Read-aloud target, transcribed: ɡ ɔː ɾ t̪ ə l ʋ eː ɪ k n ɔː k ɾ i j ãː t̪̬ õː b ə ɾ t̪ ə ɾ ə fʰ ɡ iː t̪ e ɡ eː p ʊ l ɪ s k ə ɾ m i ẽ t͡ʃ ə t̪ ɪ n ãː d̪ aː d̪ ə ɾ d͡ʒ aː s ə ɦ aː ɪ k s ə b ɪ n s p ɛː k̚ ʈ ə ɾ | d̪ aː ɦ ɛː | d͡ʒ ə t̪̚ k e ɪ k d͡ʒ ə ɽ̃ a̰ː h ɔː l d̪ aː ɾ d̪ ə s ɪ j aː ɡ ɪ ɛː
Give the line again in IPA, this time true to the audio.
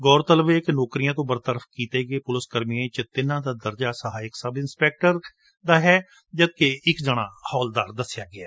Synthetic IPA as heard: ɡ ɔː ɾ t̪ ə l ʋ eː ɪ k n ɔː k ɾ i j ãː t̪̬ õː b ə ɾ t̪ ə ɾ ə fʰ k iː t̪ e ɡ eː p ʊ l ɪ s k ə ɾ m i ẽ t͡ʃ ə t̪ ɪ n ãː d̪ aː d̪ ə ɾ d͡ʒ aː s ə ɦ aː ɪ k s ə b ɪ n s p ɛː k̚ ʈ ə ɾ | d̪ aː ɦ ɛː | d͡ʒ ə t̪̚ k e ɪ k d͡ʒ ə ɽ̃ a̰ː h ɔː l d̪ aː ɾ d̪ ə s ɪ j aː ɡ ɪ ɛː

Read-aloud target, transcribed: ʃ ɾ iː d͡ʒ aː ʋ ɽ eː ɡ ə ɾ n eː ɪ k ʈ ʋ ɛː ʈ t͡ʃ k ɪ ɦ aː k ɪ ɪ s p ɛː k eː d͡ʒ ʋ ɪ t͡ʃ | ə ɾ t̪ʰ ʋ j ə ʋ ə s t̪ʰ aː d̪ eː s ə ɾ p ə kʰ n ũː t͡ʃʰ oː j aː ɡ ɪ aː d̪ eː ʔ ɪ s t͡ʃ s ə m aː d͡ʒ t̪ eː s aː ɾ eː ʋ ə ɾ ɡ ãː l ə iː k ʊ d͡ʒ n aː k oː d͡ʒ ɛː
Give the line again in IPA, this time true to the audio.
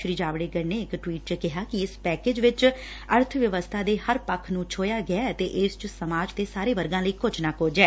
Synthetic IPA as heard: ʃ ɾ iː d͡ʒ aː ʋ ɽ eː ɡ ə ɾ n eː ɪ k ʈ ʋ iː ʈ t͡ʃ k ɪ ɦ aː k ɪ ɪ s p ɛː k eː d͡ʒ ʋ ɪ t͡ʃ | ə ɾ t̪ʰ ʋ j ə ʋ ə s t̪ʰ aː d̪ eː h ə ɾ p ə kʰ n ũː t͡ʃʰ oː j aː ɡ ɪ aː t̪ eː ʔ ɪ s t͡ʃ s ə m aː d͡ʒ t̪ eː s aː ɾ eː ʋ ə ɾ ɡ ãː l ə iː k ʊ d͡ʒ n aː k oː d͡ʒ ɛː

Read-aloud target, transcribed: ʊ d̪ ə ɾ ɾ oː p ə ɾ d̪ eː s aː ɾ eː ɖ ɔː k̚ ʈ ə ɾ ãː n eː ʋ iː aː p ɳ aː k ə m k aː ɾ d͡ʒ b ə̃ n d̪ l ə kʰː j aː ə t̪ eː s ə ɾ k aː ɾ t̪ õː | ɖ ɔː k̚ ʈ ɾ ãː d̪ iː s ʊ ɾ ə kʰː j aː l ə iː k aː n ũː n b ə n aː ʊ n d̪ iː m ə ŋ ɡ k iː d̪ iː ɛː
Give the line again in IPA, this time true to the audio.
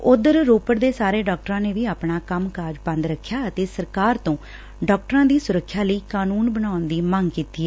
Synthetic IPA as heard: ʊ d̪ ə ɾ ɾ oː p ə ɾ d̪ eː s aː ɾ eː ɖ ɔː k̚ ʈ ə ɾ ãː n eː ʋ iː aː p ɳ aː k ə m k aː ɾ d͡ʒ b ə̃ n d̪ ɾ ə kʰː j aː ə t̪ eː s ə ɾ k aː ɾ t̪ õː | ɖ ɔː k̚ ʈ ɾ ãː d̪ iː s ʊ ɾ ə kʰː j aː l ə iː k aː n uː n b ə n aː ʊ n d̪ iː m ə ŋ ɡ k iː t̪ iː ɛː

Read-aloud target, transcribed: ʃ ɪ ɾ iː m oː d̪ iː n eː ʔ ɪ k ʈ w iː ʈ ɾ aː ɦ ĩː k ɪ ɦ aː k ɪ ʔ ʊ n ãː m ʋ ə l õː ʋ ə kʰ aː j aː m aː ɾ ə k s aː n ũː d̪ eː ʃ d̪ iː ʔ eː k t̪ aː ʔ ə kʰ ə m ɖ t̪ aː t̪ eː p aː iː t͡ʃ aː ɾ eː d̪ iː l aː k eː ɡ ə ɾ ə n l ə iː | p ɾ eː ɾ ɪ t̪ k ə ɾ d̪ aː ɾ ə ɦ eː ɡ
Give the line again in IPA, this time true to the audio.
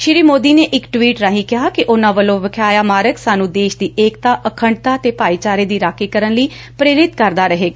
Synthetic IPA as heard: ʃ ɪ ɾ iː m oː d̪ iː n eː ʔ ɪ k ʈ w iː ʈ ɾ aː ɦ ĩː k ɪ ɦ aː k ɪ ʔ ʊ n ãː ʋ ə l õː ʋ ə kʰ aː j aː m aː ɾ ə k s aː n ũː d̪ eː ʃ d̪ iː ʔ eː k t̪ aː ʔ ə kʰ ə ɳ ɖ t̪ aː t̪ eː p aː iː t͡ʃ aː ɾ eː d̪ iː ɾ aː k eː k ə ɾ ə n l ə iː | p ɾ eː ɾ ɪ t̪ k ə ɾ d̪ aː ɾ ə ɦ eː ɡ

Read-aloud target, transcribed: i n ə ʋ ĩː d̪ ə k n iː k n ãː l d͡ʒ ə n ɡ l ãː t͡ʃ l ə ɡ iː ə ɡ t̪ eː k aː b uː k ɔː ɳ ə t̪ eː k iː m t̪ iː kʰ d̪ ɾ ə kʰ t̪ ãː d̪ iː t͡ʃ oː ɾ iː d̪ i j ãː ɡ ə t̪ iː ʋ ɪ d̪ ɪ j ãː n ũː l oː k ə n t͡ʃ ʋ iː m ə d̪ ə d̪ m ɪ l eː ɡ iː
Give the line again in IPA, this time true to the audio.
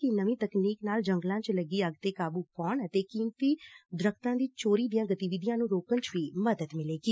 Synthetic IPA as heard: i n ə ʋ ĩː t̪ ə k n iː k n aː l d͡ʒ ə ŋ ɡ l ãː t͡ʃ l ə ɡ iː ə ɡ t̪ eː k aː b uː k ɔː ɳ ə t̪ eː k iː m t̪ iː d̪ ɾ ə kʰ t̪ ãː d̪ iː t͡ʃ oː ɾ iː d̪ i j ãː ɡ ə t̪ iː ʋ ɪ d̪ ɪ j ãː n ũː ɾ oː k ə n t͡ʃ ʋ iː m ə d̪ ə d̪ m ɪ l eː ɡ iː

